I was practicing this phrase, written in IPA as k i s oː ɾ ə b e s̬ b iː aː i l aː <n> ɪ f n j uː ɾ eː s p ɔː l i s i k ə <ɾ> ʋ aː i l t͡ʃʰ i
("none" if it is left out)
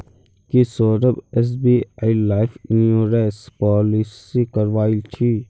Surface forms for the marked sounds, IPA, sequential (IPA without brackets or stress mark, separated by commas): none, ɾ